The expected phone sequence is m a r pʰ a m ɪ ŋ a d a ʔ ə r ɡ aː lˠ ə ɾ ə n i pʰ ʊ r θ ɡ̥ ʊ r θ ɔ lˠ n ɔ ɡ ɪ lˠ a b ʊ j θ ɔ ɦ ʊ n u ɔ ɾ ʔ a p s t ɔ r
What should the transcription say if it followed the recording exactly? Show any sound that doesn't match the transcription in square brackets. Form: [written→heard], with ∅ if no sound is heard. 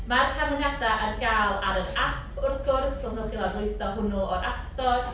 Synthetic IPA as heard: m a r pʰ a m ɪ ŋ a d a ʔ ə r ɡ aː lˠ [ə→a] ɾ ə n [i→a] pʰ ʊ r θ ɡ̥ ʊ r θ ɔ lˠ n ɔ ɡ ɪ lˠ a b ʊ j θ ɔ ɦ ʊ n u ɔ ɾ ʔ a p s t ɔ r